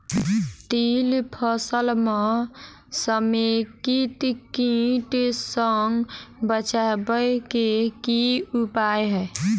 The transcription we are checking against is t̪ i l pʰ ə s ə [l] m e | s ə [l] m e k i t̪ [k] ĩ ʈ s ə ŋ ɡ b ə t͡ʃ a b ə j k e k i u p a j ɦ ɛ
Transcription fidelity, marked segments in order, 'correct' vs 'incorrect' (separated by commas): correct, incorrect, correct